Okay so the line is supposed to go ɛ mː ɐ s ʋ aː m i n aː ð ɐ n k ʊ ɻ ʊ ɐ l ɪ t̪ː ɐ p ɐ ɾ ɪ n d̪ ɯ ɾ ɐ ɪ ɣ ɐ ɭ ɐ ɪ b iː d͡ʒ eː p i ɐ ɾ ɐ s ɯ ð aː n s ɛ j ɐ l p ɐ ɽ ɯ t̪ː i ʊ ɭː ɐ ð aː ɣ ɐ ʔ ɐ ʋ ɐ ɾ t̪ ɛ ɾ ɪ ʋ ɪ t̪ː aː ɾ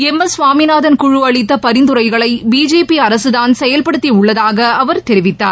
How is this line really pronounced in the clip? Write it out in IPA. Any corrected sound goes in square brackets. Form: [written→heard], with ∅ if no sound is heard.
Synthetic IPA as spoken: ɛ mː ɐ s ʋ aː m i n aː ð ɐ n k ʊ ɻ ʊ ɐ [l→ɭ] ɪ t̪ː ɐ p ɐ ɾ ɪ n d̪ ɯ ɾ ɐ ɪ ɣ ɐ ɭ ɐ ɪ b iː d͡ʒ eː p i ɐ ɾ ɐ s ɯ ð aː n s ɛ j ɐ l p ɐ ɽ ɯ t̪ː i ʊ ɭː ɐ ð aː ɣ ɐ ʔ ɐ ʋ ɐ ɾ t̪ ɛ ɾ ɪ ʋ ɪ t̪ː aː ɾ